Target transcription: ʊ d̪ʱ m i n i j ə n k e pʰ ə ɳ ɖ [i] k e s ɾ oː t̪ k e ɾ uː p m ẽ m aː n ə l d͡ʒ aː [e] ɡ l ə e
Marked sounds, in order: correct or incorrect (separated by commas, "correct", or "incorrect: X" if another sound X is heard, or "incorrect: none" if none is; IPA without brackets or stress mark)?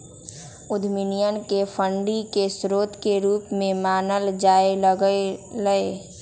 correct, correct